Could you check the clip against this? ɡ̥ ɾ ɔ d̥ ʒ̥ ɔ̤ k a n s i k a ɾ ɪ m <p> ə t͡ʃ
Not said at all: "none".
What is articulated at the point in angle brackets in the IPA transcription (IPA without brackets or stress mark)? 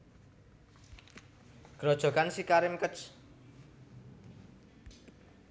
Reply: k